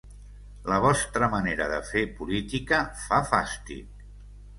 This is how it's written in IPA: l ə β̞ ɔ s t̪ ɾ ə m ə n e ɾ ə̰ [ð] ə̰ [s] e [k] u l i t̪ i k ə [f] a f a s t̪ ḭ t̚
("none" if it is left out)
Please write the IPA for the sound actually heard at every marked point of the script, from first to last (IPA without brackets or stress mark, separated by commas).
ð, f, p, f